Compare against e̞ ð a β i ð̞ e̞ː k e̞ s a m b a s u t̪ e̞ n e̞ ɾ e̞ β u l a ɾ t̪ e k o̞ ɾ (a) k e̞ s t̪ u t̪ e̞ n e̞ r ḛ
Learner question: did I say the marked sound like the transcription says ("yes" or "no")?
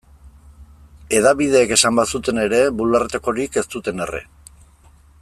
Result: no